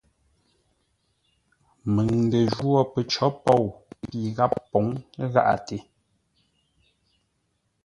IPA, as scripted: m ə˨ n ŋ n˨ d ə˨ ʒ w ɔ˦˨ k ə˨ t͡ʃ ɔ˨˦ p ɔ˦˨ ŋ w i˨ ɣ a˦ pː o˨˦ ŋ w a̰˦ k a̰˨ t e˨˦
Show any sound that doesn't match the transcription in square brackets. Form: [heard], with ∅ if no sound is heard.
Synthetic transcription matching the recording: m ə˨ [∅] ŋ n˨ d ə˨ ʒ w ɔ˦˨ [p] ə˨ t͡ʃ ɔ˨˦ p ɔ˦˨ [∅] w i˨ ɣ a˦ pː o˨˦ ŋ [ɣ] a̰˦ [ʔ] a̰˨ t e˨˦